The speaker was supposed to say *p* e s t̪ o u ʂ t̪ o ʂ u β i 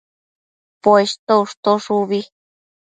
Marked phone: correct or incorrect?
correct